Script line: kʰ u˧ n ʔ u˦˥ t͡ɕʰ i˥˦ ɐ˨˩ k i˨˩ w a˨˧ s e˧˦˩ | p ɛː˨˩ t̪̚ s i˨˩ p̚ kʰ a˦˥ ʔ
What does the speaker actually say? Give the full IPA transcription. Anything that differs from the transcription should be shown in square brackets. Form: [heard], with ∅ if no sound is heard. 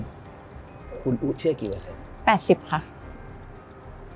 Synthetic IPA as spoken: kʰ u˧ n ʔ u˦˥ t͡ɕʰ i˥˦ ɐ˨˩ k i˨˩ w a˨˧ s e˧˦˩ | p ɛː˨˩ t̪̚ s i˨˩ p̚ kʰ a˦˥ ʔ